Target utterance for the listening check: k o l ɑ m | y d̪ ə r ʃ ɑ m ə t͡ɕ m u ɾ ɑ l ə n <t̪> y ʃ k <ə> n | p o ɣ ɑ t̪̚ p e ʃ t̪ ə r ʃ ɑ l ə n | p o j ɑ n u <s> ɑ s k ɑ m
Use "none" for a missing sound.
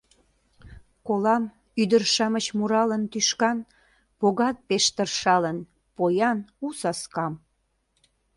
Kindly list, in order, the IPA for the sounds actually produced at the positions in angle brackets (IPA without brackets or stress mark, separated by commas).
t̪, ɑ, s